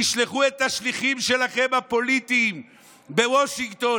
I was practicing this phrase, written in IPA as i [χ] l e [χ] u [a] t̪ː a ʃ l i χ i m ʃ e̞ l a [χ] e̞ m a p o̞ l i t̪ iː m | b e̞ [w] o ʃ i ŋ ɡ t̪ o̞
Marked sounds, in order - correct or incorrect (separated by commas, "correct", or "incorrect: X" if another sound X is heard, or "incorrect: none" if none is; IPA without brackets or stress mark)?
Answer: incorrect: ʃ, correct, incorrect: e, correct, correct